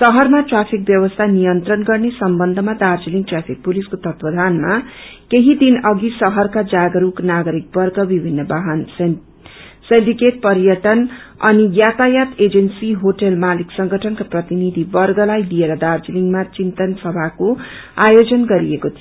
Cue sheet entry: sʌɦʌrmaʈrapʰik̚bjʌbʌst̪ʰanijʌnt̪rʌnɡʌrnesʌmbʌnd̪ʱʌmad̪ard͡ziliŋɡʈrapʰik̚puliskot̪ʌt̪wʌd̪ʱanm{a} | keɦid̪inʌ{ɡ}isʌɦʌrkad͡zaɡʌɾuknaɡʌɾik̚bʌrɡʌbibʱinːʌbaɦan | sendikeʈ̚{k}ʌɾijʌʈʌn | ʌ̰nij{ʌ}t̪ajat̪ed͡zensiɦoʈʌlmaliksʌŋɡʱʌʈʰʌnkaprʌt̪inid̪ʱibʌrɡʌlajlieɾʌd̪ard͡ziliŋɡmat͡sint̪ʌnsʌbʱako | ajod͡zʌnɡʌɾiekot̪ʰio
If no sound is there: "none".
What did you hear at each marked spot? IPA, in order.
a, ɡ, p, a

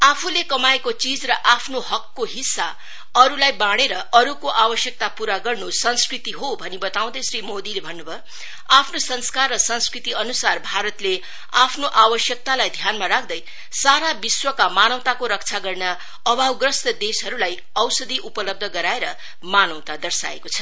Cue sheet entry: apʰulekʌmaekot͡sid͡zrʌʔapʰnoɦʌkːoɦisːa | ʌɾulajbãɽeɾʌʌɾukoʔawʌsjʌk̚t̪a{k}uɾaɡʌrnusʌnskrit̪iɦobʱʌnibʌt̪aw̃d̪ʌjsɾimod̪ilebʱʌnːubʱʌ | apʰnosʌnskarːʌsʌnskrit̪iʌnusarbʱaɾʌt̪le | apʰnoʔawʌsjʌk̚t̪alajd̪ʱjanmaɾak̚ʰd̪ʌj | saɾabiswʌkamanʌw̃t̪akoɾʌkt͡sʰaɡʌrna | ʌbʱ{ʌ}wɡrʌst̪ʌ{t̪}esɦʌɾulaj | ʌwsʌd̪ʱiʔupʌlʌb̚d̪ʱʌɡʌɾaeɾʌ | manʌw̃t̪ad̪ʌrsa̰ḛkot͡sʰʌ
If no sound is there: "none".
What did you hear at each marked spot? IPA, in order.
p, a, d̪

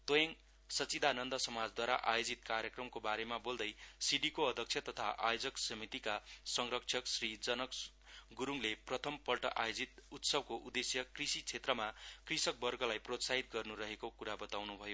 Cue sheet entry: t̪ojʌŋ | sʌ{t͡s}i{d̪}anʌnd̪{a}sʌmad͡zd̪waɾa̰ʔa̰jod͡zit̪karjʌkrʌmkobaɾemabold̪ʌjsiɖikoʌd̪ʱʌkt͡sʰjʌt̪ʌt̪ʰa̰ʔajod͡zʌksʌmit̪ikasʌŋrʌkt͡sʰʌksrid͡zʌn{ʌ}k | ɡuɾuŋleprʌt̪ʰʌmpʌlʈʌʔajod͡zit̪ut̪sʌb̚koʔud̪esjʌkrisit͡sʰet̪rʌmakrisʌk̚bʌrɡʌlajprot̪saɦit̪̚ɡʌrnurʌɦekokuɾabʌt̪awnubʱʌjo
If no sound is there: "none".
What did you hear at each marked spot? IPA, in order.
t͡s, d̪, ʌ, ʌ

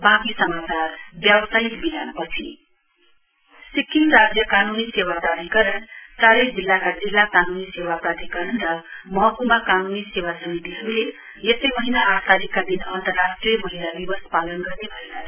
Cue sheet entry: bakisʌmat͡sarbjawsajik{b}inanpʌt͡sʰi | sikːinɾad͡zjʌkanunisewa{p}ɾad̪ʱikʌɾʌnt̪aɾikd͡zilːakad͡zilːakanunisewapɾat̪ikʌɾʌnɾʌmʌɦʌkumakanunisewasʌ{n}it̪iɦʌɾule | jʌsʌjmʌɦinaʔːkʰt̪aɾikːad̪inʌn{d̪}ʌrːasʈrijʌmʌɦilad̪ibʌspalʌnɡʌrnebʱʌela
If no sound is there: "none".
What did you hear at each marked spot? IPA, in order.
b, p, m, t̪

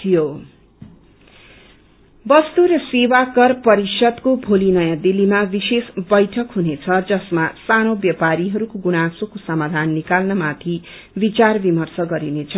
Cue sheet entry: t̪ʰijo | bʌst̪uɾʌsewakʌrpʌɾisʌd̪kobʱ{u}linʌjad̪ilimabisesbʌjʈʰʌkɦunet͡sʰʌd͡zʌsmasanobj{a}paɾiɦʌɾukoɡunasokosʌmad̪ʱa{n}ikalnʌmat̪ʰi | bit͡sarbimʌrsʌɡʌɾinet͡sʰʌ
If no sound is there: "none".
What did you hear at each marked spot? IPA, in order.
o, ʌ, nː

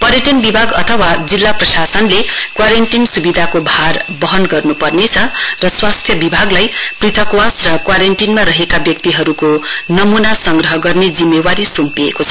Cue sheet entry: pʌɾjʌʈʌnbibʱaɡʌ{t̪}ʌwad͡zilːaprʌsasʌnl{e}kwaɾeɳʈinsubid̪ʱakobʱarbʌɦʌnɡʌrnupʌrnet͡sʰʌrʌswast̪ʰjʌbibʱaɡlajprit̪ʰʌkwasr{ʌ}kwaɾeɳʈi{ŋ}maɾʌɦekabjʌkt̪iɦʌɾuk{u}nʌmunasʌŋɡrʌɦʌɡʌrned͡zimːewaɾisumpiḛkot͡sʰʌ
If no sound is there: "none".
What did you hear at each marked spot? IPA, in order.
t̪ʰ, e, ʌ, n, o

